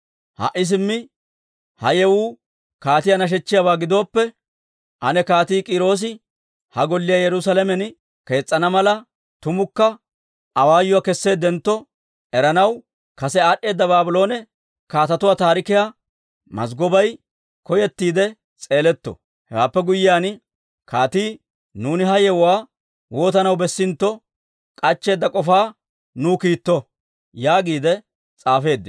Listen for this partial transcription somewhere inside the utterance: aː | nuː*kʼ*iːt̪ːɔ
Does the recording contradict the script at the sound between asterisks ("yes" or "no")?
yes